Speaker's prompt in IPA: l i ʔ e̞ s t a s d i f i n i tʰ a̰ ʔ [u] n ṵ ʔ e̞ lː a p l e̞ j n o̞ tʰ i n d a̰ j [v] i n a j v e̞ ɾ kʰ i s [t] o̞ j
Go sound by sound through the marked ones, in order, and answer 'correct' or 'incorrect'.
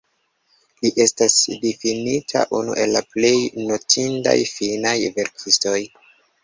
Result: correct, incorrect, correct

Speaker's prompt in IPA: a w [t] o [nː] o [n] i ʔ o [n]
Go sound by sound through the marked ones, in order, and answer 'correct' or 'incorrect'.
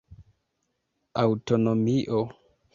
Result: correct, incorrect, incorrect, incorrect

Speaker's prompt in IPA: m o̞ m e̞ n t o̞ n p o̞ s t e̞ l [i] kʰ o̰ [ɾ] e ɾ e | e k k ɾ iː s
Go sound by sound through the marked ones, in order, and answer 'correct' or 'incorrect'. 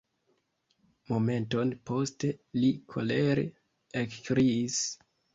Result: correct, incorrect

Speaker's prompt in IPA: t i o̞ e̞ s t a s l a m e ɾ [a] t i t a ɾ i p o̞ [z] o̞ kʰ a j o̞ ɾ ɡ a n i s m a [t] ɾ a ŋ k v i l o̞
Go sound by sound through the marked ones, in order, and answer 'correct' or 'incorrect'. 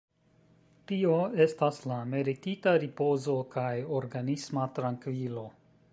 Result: incorrect, correct, correct

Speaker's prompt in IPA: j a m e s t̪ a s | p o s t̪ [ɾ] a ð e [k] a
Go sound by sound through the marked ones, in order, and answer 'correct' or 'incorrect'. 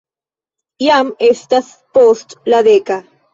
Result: incorrect, correct

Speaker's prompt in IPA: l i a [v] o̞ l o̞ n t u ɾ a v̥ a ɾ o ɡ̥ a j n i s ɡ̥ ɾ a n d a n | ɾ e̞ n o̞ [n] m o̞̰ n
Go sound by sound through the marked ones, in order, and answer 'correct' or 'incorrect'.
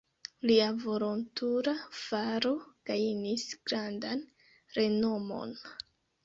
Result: correct, incorrect

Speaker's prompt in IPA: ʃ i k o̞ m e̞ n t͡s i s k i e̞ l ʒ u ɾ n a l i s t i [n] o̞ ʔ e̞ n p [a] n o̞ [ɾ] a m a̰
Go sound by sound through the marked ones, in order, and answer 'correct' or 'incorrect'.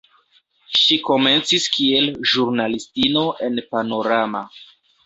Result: correct, correct, correct

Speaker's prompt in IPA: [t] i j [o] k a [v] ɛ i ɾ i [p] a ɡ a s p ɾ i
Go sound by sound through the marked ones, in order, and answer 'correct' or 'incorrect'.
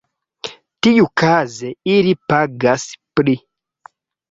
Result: correct, incorrect, incorrect, correct

